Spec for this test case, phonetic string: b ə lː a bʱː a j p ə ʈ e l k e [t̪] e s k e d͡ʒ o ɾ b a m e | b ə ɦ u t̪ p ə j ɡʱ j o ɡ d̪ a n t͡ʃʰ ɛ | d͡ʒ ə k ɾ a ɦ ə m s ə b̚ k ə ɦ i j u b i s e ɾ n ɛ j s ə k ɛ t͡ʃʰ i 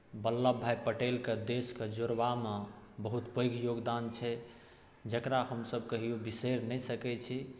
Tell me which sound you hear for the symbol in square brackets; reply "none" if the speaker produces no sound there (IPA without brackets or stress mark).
d̪